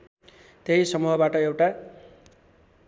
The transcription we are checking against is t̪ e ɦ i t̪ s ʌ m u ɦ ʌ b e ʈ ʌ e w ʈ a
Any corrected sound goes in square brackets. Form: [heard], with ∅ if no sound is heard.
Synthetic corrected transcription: t̪ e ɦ i [∅] s ʌ m u ɦ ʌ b [a] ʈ ʌ e w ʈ a